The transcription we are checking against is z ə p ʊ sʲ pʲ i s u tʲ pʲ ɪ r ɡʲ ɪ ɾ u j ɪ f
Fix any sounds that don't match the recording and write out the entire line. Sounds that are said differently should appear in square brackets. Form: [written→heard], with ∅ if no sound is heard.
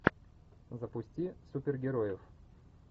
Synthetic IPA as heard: z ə p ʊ sʲ [pʲ→tʲ] i s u [tʲ→∅] pʲ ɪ r ɡʲ ɪ ɾ [u→o] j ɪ f

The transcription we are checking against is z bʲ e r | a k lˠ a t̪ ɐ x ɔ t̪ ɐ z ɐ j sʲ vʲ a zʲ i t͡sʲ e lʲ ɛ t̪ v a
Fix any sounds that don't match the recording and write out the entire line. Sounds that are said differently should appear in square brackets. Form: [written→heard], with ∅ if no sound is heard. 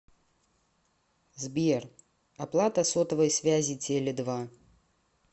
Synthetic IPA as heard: z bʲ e r | a [k→p] lˠ a t̪ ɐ [x→s] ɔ t̪ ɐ [z→v] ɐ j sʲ vʲ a zʲ i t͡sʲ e lʲ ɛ [t̪→d̪] v a

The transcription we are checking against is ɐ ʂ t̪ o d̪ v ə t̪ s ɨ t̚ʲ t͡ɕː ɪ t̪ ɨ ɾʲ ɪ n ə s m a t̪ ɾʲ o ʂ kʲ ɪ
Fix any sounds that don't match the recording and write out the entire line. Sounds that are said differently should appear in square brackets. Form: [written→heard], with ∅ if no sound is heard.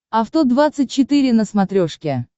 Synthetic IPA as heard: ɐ [ʂ→f] t̪ o d̪ v [ə→a] t̪ s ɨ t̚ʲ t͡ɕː ɪ t̪ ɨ ɾʲ ɪ n ə s m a t̪ ɾʲ o ʂ kʲ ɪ

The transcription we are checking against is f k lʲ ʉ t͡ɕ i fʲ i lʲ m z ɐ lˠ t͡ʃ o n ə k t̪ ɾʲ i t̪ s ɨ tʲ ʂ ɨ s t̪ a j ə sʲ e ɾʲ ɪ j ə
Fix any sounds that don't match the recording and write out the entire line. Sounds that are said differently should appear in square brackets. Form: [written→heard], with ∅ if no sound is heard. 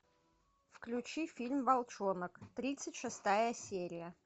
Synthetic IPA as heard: f k lʲ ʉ t͡ɕ i fʲ i lʲ m [z→v] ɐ lˠ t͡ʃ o n ə k t̪ ɾʲ i t̪ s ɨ tʲ ʂ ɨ s t̪ a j ə sʲ e ɾʲ ɪ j ə

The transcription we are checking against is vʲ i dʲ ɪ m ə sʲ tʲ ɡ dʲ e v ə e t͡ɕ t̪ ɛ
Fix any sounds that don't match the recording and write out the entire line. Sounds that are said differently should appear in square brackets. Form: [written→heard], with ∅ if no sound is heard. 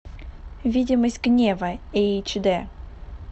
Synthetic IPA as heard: vʲ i dʲ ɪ m ə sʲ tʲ ɡ [dʲ→nʲ] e v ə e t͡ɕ [t̪→d̪] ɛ

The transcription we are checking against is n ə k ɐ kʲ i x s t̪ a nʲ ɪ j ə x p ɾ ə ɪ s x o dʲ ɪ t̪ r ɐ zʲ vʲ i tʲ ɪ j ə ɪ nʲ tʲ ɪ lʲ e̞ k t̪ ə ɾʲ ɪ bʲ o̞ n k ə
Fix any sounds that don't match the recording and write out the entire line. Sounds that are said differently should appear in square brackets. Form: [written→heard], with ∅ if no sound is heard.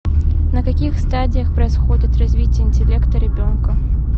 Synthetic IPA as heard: n ə k ɐ kʲ i x s t̪ a [nʲ→dʲ] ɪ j ə x p ɾ ə ɪ s x o dʲ ɪ t̪ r ɐ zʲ vʲ i tʲ ɪ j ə ɪ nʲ tʲ ɪ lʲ e̞ k t̪ ə ɾʲ ɪ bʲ o̞ n k ə

